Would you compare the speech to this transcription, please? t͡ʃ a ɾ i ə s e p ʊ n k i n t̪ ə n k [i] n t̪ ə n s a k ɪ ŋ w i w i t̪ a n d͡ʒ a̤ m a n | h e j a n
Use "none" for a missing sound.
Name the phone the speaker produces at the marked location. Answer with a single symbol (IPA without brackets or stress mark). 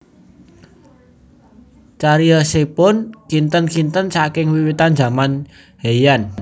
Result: i